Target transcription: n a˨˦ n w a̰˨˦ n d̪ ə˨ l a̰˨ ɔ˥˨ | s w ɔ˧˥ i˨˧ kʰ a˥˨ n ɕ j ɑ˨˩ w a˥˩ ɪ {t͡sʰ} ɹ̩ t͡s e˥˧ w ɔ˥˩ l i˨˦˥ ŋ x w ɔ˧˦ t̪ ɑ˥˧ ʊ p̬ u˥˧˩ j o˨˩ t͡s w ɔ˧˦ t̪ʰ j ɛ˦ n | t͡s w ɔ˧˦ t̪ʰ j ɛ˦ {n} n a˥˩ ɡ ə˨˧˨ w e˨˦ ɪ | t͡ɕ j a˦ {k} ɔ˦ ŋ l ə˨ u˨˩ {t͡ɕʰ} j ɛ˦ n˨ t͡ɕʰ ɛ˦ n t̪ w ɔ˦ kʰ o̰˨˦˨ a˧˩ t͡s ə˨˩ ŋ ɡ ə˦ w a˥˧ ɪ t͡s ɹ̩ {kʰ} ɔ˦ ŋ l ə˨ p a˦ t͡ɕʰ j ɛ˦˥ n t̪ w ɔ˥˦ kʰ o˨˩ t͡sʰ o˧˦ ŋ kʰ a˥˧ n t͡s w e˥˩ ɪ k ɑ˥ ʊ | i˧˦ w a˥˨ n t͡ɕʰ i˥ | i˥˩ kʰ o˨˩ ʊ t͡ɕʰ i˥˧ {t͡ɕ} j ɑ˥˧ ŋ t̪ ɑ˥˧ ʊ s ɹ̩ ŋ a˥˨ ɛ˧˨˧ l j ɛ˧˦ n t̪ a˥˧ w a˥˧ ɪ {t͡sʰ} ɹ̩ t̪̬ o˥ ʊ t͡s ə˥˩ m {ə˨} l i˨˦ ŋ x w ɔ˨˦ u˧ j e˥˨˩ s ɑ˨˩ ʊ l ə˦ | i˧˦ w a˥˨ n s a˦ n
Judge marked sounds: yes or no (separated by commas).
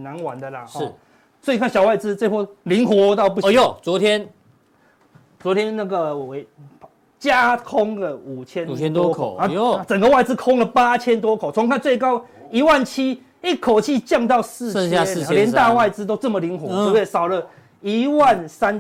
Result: no, yes, no, yes, yes, yes, no, yes